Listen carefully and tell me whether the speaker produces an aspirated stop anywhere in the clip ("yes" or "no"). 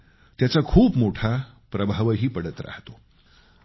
yes